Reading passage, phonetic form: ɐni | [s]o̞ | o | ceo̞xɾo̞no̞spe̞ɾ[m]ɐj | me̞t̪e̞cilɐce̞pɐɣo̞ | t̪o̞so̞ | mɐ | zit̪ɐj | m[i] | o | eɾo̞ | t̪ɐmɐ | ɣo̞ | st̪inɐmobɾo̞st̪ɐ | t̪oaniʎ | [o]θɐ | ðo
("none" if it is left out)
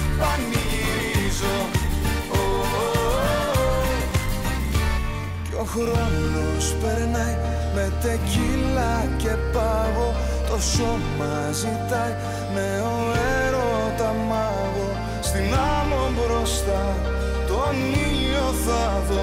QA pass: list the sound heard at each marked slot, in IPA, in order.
z, n, e, o

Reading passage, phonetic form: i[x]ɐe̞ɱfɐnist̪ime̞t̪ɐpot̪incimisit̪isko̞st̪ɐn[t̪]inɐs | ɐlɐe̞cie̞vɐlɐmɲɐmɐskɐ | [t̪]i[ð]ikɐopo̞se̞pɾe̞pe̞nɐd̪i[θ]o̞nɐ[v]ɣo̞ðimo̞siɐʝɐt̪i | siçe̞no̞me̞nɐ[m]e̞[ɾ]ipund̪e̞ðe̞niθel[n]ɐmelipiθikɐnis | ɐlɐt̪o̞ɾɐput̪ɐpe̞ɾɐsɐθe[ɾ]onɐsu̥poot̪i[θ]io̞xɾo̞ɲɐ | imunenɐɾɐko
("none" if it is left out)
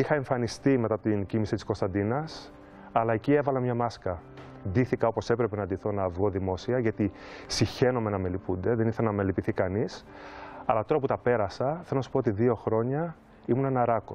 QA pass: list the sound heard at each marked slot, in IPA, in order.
x, d̪, d̪, θ, θ, v, m, l, n, l, ð

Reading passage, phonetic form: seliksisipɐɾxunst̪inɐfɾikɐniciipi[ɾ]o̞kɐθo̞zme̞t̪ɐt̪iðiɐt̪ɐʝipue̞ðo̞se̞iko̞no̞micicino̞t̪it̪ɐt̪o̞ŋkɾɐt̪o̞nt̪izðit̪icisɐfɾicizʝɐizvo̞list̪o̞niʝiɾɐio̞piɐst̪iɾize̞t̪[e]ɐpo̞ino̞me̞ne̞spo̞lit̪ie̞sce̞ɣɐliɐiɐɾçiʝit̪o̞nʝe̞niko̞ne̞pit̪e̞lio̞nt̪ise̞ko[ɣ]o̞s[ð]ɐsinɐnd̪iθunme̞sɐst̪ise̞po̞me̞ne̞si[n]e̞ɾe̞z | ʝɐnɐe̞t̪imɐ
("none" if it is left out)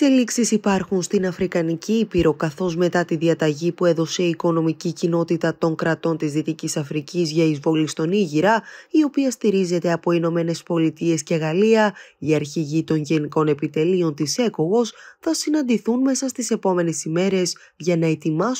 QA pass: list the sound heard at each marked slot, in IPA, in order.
ɾ, e, ɣ, θ, m

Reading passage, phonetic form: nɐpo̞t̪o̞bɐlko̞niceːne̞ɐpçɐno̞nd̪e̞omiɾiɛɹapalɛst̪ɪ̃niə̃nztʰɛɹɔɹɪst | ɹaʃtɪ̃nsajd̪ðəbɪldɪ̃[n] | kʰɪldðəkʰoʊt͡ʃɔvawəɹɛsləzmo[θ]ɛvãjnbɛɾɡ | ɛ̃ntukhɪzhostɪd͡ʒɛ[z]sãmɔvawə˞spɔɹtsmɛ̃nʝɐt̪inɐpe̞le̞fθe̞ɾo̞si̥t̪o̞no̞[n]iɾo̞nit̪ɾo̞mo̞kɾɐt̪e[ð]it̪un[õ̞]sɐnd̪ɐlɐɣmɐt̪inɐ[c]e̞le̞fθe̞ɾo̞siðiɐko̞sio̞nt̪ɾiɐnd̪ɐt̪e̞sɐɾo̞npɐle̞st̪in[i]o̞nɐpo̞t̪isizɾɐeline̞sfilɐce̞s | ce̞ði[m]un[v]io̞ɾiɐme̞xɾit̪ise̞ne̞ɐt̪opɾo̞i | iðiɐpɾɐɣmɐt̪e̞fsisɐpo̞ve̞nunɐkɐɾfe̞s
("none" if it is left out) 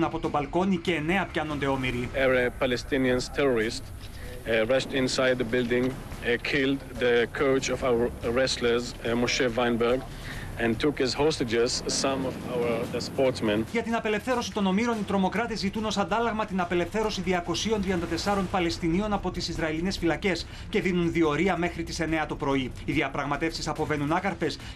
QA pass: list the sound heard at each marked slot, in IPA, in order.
ŋ, ʃ, z, m, z, o̞, p, i, n, ð

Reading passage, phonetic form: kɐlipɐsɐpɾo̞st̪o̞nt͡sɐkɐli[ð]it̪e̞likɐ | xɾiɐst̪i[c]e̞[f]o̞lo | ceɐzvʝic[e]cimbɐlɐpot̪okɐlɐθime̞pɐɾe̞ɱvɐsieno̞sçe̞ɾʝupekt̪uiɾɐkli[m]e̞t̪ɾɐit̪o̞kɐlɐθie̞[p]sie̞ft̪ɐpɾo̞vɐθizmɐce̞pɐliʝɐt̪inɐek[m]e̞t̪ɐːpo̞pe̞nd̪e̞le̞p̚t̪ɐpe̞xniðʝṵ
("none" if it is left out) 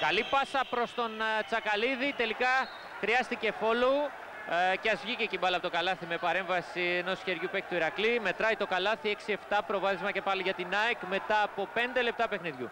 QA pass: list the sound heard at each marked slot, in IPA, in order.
ð, c, f, e, m, k, m

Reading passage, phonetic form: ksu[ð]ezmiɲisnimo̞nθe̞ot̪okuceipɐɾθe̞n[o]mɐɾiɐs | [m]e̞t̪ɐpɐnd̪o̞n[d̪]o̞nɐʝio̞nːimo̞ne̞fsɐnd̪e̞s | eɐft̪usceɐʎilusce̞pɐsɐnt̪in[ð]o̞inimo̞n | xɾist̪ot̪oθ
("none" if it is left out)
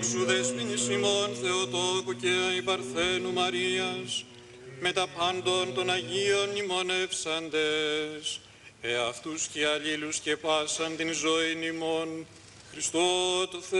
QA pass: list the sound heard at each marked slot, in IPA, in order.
ð, u, m, t̪, z

